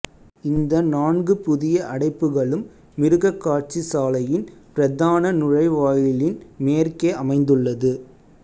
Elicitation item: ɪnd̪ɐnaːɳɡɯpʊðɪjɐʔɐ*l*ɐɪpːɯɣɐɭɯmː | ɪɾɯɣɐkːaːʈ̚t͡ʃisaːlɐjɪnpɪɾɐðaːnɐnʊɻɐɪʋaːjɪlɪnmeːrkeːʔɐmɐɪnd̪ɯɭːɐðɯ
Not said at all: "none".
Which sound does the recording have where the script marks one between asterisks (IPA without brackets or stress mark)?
ɽ